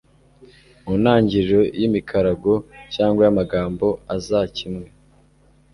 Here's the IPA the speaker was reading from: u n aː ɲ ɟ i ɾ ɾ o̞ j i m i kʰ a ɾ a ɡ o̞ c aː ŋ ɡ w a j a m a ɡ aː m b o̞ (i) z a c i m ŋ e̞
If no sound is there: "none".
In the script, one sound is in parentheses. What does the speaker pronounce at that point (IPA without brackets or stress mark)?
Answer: a